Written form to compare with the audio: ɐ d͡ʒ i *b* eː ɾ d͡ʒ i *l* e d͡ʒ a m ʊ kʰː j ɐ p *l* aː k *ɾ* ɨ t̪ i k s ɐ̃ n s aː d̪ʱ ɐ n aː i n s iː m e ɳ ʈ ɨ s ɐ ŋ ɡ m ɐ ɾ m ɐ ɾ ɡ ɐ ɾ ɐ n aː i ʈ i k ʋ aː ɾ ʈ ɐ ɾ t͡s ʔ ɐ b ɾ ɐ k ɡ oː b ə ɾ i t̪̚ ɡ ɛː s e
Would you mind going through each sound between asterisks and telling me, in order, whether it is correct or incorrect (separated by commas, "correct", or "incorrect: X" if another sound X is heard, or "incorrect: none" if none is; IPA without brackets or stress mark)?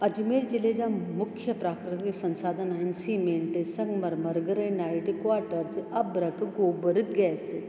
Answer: incorrect: m, correct, incorrect: ɾ, correct